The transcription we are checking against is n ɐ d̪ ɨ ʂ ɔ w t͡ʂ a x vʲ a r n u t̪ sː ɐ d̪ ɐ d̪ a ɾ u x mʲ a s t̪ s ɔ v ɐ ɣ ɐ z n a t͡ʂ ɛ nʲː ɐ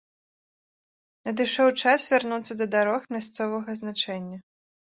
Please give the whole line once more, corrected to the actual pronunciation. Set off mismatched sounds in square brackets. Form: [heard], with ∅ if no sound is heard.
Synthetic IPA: n ɐ d̪ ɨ ʂ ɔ w t͡ʂ a [s] vʲ a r n u t̪ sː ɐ d̪ ɐ d̪ a ɾ [ɔ] x mʲ a s t̪ s ɔ v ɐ ɣ ɐ z n a t͡ʂ ɛ nʲː ɐ